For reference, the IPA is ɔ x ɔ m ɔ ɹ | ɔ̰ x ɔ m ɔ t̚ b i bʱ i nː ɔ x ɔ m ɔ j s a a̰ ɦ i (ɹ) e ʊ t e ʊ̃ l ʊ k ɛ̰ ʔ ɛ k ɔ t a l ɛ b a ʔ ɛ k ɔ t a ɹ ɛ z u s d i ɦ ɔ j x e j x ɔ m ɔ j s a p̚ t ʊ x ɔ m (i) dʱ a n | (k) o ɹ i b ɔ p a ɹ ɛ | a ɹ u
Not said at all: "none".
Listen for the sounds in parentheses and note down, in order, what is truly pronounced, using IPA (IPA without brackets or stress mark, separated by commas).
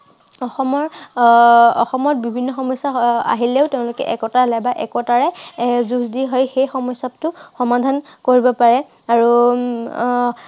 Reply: l, a, k